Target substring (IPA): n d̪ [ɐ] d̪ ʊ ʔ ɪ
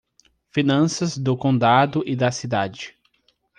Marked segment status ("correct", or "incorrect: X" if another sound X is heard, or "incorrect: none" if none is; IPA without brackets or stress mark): incorrect: a